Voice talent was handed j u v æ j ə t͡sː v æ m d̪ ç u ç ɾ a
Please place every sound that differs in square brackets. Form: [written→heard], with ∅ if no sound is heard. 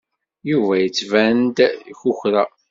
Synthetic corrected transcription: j u v æ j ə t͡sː v æ [m→n] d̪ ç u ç ɾ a